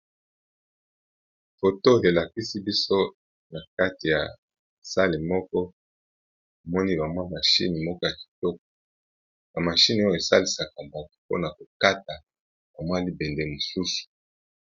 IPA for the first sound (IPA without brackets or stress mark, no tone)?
f